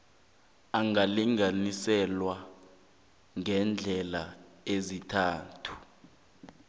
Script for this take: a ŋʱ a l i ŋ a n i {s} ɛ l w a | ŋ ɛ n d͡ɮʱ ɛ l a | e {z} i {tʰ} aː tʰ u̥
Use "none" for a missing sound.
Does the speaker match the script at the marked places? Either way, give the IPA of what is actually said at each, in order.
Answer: s, z, tʰ

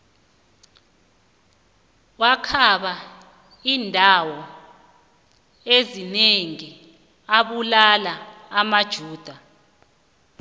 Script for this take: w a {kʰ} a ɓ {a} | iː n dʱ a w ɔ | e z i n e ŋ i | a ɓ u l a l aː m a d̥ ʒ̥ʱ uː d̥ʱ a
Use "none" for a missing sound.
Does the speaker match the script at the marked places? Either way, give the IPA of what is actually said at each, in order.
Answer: kʰ, a

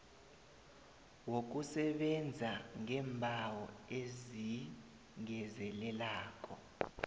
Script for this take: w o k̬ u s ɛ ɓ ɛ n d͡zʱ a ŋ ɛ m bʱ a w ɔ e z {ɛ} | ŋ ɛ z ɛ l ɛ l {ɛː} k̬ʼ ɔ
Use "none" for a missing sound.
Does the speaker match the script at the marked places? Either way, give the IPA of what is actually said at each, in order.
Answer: i, aː

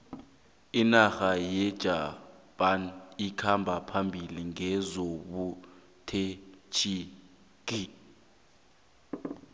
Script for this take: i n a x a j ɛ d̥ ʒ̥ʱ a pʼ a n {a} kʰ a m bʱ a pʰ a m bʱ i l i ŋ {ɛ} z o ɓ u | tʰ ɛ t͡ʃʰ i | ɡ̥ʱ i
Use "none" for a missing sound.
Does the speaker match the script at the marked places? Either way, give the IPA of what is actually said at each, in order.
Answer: i, ɛ

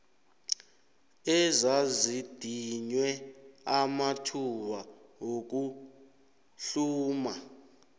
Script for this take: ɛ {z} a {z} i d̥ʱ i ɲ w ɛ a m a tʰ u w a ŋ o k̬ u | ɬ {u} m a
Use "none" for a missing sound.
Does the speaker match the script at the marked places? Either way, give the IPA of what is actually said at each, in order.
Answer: z, z, uː

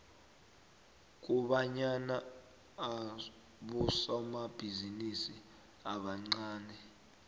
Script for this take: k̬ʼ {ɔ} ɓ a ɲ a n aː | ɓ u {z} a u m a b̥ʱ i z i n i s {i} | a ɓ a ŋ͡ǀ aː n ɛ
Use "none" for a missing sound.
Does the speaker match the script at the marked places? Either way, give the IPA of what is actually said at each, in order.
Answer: u, s, i

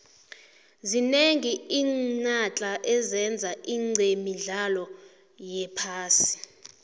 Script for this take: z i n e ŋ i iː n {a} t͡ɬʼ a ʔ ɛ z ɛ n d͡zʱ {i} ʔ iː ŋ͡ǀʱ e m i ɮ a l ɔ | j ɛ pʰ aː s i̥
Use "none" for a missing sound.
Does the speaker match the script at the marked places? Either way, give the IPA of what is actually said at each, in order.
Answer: a, a

